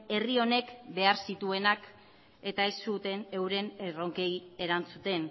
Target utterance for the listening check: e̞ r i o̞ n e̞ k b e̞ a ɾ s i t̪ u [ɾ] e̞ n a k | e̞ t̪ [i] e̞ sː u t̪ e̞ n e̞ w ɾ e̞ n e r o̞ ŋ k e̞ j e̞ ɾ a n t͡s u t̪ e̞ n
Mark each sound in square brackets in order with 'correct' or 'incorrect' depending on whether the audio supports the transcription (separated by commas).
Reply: incorrect, incorrect